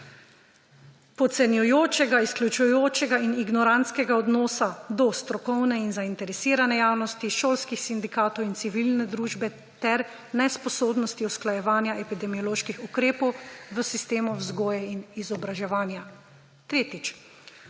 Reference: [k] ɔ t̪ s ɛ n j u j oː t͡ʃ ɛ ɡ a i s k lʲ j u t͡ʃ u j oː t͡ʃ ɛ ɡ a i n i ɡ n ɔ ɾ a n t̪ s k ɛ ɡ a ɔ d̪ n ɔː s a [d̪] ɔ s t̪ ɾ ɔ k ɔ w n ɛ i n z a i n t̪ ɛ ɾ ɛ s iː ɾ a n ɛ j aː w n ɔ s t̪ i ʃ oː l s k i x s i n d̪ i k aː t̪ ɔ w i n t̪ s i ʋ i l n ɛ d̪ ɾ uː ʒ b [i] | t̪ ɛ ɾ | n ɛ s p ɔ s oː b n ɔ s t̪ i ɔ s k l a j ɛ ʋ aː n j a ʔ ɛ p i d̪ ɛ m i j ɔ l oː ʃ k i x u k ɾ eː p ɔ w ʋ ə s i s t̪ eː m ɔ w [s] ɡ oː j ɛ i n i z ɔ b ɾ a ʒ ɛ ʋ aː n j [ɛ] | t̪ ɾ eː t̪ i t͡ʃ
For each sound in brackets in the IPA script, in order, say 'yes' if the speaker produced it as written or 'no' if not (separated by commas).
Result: no, yes, no, no, no